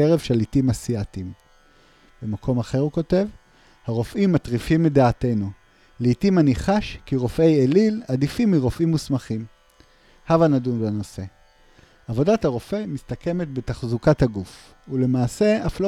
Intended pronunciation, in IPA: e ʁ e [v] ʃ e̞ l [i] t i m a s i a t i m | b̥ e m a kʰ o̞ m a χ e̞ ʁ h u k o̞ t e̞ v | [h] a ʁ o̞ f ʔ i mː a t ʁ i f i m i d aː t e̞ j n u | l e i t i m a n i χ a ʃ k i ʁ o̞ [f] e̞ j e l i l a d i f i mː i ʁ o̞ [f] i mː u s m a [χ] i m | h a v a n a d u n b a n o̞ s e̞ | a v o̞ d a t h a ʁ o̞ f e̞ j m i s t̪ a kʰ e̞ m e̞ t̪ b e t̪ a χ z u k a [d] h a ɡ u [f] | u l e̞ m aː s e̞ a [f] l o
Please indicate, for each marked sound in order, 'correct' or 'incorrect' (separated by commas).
correct, correct, correct, correct, correct, correct, incorrect, correct, correct